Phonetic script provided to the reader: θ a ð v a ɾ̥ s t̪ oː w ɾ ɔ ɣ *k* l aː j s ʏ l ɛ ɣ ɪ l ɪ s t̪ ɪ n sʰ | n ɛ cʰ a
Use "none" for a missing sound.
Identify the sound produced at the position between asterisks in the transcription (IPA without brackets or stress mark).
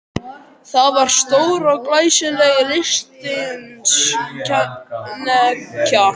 k